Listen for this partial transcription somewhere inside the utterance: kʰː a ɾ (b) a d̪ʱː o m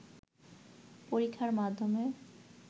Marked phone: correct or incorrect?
incorrect